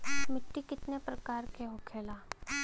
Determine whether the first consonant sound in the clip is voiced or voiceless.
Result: voiced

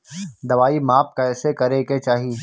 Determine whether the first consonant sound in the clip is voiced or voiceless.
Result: voiced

